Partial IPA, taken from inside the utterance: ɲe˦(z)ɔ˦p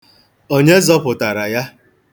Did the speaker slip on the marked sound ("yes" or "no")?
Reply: no